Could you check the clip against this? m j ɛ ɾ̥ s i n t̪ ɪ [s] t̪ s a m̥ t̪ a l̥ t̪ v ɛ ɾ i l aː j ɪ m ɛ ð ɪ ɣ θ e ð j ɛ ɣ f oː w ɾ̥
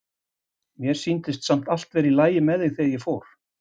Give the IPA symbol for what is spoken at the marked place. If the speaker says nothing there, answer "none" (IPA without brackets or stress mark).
s